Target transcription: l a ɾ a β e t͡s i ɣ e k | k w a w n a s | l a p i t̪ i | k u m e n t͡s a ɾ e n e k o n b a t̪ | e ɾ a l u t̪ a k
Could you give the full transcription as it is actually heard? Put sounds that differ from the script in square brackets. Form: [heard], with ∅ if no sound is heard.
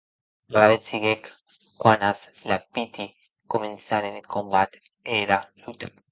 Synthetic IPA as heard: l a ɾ a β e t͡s i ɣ e k | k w a [∅] n a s | l a p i t̪ i | k [o] m e n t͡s a ɾ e n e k o [m] b a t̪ | e ɾ a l u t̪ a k

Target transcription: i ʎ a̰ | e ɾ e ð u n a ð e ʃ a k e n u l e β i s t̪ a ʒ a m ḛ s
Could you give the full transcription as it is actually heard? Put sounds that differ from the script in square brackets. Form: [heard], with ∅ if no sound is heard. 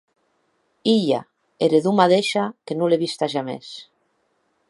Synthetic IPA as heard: i ʎ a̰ | e ɾ e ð u [m] a ð e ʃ a k e n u l e β i s t̪ a ʒ a m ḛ s

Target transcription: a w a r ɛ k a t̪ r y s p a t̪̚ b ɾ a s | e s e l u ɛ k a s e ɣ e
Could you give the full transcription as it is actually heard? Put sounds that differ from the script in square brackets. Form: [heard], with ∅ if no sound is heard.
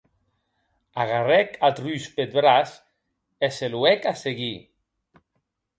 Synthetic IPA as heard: a [ɣ] a r ɛ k a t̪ r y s p [e] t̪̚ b ɾ a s | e s e l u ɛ k a s e ɣ [i]

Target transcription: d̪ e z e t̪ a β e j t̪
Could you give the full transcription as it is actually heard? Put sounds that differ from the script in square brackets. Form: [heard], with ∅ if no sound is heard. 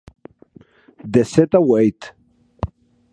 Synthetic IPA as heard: d̪ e [s] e t̪ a [w] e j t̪

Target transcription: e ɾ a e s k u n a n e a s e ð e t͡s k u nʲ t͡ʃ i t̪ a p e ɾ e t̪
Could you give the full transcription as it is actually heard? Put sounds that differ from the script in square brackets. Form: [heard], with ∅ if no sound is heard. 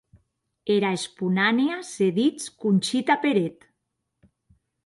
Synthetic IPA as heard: e ɾ a e s [p] u n a n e a s e ð [i] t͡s k u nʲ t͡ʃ i t̪ a p e ɾ e t̪

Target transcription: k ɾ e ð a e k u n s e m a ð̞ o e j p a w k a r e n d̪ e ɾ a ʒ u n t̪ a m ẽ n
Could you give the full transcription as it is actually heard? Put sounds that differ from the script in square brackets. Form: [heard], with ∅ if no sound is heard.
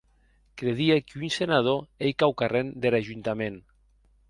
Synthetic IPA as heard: k ɾ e ð [i] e k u n s e [n] a ð̞ o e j [k] a w k a r e n d̪ e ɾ a ʒ u n t̪ a m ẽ n

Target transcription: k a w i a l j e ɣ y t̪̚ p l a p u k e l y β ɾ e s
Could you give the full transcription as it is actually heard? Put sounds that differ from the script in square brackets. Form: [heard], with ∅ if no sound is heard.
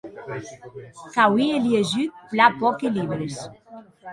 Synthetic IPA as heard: k a w i [e] l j e [ʒ] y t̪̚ p l a p [ɔ] k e l [i] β ɾ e s

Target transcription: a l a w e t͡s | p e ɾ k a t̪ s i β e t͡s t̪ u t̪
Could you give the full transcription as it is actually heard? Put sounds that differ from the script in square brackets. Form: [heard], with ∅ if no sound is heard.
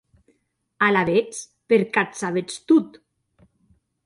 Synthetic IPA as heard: a l a [β] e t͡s | p e ɾ k a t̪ s [a] β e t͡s t̪ u t̪

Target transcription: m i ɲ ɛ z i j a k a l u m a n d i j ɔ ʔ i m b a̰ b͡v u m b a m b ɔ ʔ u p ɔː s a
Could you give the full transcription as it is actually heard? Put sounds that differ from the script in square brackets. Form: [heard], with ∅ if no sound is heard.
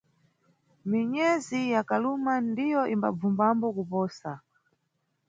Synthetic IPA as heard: m i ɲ ɛ z i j a k a l u m a n d i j ɔ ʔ i m b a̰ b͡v u m b a m b ɔ [k] u p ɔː s a

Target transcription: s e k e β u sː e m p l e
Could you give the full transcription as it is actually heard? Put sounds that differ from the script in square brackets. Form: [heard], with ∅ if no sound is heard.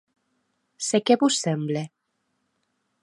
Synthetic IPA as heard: s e k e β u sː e m [b] l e

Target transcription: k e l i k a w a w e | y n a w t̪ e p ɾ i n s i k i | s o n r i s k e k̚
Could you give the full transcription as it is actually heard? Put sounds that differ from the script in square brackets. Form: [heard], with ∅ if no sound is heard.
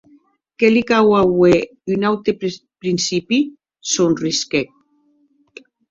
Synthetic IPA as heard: k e l i k a w a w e | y n a w t̪ e p ɾ i n s i [p] i | s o n r i s k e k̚

